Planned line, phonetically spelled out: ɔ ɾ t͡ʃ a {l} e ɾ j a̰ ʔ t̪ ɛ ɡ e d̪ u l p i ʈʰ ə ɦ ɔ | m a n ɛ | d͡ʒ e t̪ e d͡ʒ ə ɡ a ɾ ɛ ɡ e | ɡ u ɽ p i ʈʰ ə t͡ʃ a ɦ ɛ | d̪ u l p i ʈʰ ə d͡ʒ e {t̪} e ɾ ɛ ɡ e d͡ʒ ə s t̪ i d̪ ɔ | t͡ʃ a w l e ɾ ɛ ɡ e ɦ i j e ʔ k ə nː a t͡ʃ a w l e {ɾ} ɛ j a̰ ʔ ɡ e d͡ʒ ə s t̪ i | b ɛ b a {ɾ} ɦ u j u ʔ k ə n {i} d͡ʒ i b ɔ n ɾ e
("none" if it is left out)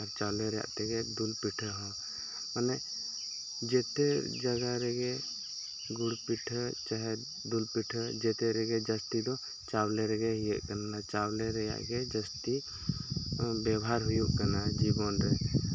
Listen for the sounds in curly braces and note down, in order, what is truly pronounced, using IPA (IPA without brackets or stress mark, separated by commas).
l, t̪, ɾ, ɾ, a